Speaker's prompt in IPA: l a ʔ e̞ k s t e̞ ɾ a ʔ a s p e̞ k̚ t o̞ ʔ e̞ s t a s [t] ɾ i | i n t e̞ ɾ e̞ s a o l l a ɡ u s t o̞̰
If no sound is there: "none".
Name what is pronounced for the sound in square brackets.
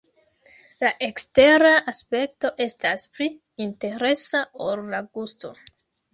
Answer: p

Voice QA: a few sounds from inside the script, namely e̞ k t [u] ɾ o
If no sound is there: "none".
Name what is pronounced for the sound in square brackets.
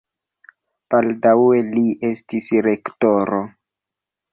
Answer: o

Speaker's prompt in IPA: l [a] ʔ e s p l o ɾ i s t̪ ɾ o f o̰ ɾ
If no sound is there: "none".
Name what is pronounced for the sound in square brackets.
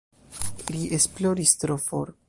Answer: i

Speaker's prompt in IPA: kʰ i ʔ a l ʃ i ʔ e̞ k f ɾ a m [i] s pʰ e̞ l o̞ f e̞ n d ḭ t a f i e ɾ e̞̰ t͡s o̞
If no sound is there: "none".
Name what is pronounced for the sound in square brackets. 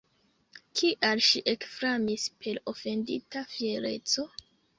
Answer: i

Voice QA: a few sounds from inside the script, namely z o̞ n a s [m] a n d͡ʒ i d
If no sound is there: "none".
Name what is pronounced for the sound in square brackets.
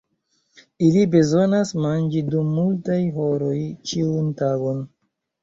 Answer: m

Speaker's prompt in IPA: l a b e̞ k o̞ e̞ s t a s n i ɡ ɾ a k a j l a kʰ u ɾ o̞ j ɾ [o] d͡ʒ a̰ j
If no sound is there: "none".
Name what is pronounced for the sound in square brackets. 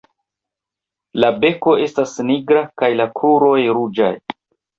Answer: u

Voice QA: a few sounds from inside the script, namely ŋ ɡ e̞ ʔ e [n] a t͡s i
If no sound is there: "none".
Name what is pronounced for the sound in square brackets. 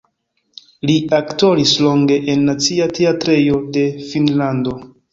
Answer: nː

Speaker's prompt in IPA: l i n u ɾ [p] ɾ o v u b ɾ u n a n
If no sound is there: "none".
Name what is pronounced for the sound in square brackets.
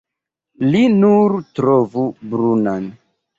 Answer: t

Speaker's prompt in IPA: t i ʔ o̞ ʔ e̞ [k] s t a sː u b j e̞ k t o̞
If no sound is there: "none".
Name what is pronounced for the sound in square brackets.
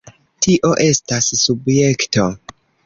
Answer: none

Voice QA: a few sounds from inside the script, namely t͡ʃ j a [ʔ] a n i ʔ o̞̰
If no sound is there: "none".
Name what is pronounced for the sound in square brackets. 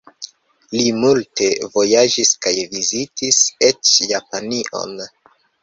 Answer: p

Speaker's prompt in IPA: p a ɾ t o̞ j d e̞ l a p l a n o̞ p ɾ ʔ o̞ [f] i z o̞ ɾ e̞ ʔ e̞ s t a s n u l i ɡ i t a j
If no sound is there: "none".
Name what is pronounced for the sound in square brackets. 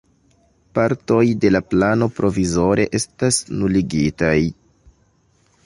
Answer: v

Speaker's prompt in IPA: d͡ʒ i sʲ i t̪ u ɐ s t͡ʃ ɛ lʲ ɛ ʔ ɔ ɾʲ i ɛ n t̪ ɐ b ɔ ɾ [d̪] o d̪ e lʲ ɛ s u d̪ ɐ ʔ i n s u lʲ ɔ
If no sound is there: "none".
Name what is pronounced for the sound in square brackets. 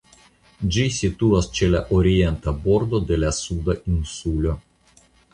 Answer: d̪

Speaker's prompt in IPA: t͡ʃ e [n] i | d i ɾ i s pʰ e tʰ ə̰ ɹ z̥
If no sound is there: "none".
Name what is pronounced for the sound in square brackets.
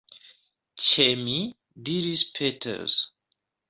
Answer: m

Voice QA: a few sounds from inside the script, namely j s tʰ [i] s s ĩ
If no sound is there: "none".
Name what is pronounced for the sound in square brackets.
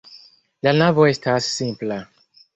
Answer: a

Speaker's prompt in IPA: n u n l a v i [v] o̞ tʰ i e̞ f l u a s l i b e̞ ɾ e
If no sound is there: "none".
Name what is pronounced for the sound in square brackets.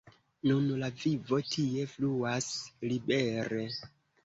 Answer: v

